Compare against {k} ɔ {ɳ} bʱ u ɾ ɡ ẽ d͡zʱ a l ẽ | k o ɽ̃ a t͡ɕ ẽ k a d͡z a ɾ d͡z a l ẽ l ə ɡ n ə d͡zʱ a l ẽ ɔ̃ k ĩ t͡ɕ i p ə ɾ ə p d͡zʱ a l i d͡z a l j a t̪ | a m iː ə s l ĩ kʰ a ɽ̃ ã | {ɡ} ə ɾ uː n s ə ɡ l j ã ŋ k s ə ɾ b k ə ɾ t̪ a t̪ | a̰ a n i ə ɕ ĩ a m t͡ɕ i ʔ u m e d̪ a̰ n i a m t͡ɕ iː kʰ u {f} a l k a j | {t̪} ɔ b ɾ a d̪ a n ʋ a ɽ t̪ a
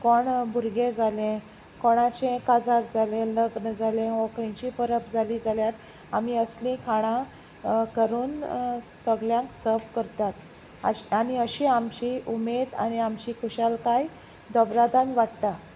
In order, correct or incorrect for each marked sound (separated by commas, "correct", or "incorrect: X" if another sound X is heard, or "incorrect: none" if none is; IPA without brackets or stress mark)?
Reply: correct, correct, incorrect: k, incorrect: ɕ, incorrect: d̪